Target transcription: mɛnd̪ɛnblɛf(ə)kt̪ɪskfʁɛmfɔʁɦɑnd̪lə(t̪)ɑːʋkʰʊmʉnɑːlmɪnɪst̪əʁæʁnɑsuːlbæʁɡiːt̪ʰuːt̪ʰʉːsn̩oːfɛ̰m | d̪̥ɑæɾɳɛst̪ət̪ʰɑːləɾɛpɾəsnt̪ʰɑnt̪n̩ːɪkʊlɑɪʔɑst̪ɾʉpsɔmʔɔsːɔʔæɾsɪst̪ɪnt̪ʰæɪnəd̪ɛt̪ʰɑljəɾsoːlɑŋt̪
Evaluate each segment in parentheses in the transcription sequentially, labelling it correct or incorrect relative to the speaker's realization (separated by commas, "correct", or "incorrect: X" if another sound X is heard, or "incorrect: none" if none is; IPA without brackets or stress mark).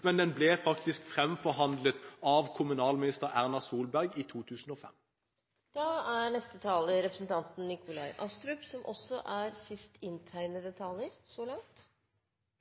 incorrect: ɑ, correct